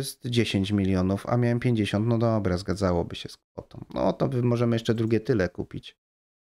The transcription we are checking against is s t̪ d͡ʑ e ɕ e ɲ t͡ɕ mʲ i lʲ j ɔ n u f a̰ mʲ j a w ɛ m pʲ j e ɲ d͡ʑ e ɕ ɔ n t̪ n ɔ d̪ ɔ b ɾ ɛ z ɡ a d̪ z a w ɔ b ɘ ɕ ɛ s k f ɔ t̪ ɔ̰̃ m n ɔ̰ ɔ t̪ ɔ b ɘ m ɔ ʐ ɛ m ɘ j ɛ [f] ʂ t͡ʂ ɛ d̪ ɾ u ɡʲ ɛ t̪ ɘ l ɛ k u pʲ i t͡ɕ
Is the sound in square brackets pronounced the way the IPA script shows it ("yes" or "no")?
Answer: no